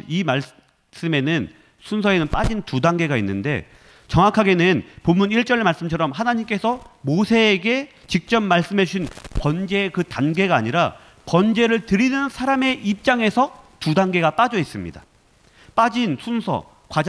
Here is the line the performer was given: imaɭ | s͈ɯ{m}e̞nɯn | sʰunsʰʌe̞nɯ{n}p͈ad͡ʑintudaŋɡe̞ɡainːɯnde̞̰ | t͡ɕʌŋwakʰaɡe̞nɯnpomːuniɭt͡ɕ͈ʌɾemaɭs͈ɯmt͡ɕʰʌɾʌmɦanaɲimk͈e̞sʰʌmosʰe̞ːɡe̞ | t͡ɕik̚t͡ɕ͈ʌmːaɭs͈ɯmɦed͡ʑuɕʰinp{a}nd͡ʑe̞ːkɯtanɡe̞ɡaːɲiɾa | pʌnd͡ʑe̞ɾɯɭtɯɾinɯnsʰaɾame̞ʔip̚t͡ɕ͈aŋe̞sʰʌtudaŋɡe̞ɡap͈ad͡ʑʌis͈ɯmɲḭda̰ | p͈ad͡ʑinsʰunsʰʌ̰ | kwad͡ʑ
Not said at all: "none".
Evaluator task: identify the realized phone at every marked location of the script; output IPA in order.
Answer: m, n, ʌ

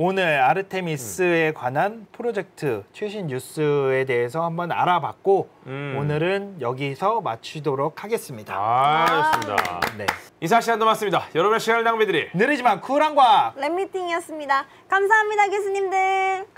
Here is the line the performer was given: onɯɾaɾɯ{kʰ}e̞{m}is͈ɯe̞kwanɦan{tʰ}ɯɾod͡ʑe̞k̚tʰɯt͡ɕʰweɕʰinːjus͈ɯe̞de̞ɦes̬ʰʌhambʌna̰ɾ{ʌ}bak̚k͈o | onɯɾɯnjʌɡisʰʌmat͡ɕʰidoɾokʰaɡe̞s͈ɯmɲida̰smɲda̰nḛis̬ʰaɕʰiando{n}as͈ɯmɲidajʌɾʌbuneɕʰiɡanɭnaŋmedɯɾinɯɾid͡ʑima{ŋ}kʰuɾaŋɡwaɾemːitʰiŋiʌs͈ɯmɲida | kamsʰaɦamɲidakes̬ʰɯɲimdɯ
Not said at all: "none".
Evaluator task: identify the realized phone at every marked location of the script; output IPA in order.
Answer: tʰ, m, pʰ, a, m, n

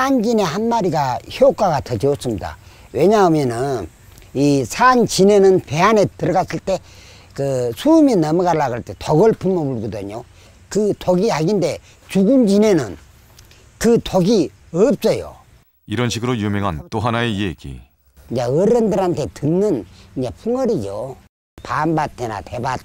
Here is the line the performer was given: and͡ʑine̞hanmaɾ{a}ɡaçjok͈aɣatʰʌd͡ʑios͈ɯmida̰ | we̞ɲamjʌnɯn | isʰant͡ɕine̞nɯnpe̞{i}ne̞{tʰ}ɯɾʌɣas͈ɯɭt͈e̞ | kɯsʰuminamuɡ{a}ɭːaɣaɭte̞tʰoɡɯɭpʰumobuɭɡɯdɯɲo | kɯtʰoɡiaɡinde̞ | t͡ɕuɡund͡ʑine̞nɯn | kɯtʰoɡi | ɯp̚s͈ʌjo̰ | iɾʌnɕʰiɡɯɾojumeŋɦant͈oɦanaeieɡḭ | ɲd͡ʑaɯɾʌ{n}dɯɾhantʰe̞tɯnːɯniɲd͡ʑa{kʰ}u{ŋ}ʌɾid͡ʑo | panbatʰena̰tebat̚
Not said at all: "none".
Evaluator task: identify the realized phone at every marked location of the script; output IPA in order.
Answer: i, a, t, a, n, pʰ, ŋ

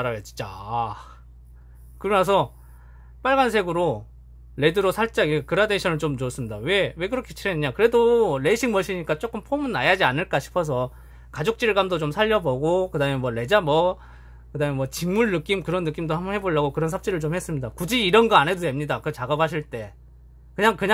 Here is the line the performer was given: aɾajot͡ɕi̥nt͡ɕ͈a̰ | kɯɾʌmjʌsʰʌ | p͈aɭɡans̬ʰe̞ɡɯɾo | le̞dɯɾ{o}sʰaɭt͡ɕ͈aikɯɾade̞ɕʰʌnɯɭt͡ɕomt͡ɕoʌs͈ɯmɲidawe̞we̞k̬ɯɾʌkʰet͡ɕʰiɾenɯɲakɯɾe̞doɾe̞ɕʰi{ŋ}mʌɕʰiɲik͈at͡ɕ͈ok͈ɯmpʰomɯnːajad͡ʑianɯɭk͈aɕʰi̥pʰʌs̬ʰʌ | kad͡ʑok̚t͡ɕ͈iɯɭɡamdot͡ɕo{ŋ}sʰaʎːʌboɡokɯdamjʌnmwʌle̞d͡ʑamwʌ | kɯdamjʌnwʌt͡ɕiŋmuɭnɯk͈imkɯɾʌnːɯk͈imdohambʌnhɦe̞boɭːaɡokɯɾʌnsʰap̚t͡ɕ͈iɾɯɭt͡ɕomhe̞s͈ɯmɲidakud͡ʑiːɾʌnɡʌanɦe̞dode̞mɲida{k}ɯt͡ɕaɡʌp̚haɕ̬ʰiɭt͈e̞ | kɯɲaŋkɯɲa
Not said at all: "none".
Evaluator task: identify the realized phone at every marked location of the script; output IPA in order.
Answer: o, ŋ, m, k

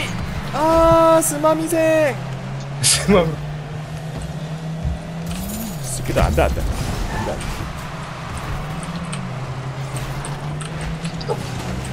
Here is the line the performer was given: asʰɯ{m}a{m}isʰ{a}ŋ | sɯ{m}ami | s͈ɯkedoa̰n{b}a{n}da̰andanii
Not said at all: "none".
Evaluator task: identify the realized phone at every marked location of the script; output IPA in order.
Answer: m, m, e, m, d, n

